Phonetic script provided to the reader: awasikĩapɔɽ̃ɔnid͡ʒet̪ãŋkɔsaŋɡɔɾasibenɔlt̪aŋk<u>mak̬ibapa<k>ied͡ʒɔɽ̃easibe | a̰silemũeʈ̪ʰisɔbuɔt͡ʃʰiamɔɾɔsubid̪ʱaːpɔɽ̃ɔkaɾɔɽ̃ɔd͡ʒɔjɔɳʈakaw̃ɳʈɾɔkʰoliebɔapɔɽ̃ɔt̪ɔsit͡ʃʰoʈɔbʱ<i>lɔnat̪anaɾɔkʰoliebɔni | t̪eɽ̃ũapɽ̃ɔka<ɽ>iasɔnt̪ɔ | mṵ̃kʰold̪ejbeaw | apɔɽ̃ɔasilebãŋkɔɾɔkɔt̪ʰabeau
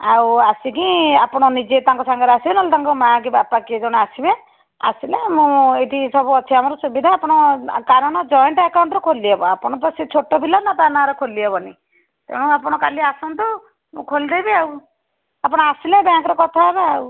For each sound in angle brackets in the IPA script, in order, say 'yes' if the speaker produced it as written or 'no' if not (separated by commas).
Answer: no, yes, yes, no